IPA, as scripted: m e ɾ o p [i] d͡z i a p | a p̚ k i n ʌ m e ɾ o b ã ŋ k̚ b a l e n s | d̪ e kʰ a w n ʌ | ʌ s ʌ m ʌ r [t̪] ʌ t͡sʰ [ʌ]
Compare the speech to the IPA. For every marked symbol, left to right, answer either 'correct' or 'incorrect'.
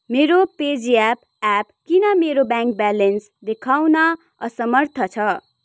incorrect: e, incorrect: t̪ʰ, correct

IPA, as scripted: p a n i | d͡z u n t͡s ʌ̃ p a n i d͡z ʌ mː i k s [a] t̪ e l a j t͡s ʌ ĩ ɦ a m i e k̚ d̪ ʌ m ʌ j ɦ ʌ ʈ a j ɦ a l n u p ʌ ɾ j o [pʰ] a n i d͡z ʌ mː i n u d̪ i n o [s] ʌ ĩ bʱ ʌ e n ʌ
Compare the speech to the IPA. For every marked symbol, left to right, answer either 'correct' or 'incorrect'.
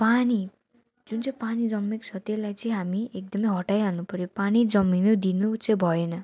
incorrect: ʌ, incorrect: p, incorrect: t͡s

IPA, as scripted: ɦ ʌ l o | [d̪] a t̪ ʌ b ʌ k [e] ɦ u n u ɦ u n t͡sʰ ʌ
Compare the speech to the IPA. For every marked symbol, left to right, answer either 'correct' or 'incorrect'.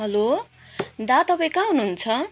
correct, incorrect: a

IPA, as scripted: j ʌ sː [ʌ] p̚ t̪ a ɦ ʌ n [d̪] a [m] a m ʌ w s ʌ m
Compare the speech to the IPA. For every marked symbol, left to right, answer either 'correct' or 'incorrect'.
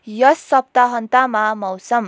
correct, incorrect: t̪, correct

